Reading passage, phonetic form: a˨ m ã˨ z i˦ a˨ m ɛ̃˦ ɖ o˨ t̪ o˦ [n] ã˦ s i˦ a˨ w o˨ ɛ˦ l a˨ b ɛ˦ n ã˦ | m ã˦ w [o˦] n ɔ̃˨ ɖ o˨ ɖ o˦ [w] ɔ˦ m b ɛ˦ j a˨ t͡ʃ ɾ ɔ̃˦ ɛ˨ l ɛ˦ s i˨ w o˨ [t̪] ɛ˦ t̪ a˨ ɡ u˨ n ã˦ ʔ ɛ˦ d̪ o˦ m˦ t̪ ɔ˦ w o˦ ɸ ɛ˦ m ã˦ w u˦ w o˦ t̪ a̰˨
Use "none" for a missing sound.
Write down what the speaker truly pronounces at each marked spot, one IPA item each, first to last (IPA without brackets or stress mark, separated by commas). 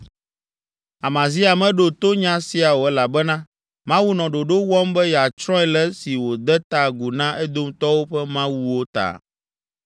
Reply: ɲ, u˦, w, d̪